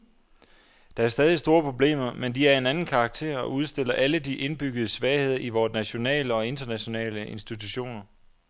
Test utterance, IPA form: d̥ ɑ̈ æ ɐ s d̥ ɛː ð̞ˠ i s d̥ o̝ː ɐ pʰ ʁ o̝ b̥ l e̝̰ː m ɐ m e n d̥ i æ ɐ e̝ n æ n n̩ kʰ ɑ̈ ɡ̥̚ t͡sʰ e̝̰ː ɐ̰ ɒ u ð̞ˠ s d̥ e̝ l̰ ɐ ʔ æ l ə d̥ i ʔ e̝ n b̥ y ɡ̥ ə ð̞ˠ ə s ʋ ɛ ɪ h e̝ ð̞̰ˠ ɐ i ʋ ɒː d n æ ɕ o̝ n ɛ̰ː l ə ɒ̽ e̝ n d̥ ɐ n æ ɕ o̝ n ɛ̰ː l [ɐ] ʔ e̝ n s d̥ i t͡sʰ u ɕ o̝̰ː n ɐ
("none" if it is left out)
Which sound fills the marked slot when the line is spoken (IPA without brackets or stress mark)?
ə